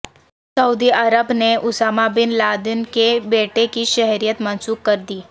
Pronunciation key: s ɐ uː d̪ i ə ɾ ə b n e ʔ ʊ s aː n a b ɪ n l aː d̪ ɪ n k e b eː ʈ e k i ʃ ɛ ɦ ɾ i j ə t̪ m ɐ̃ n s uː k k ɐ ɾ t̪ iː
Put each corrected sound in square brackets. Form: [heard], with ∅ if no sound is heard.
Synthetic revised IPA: s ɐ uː d̪ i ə ɾ ə b n e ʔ ʊ s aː [m] a b ɪ n l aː d̪ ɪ n k e b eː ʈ e k i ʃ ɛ ɦ ɾ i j ə t̪ m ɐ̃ n s uː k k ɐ ɾ [d̪] iː